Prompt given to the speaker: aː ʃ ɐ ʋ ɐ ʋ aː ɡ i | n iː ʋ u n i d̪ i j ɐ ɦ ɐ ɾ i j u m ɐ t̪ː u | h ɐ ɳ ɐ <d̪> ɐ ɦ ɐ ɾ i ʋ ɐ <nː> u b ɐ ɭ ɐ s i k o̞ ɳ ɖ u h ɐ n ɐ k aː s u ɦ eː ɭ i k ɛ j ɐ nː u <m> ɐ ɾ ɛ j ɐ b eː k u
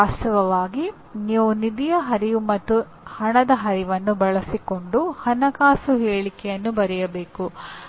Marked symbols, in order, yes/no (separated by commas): yes, yes, no